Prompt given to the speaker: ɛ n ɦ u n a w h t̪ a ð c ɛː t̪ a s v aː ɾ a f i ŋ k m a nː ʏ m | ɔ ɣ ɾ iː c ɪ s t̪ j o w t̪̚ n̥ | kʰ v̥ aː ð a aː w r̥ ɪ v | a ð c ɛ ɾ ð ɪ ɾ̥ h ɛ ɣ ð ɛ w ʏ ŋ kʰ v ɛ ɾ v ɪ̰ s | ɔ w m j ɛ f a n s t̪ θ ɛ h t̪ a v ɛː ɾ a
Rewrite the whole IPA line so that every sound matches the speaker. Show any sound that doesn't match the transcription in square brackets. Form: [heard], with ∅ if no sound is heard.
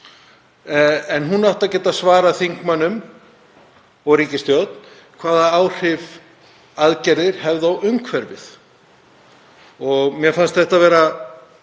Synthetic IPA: ɛ n ɦ u n a w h t̪ a ð c ɛː t̪ a s v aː ɾ a [θ] i ŋ k m a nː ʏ m | ɔ ɣ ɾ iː c ɪ s t̪ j o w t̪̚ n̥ | kʰ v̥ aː ð a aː w r̥ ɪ v | a ð c ɛ ɾ ð ɪ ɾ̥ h ɛ [v] ð [a] w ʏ ŋ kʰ v ɛ ɾ v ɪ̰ [θ] | ɔ [ɣ] m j ɛ f a n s t̪ θ ɛ h t̪ a v ɛː ɾ a